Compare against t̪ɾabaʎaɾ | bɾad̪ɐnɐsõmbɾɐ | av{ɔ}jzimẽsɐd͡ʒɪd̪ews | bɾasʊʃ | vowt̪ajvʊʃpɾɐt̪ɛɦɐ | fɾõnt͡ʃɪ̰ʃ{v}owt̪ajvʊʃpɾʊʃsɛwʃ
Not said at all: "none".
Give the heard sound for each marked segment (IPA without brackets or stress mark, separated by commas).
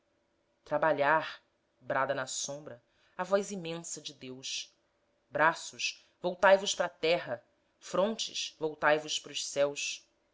ɔ, v